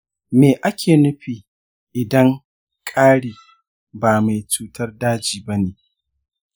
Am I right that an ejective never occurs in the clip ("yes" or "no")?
no